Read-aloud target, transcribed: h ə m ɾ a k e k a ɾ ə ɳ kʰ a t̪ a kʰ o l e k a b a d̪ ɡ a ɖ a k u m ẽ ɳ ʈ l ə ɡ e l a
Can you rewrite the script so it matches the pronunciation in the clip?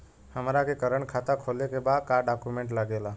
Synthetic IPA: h ə m ɾ a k e k ə ɾ ə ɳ kʰ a t̪ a kʰ o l e k e b a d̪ k a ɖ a k u m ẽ ɳ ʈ l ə ɡ e l a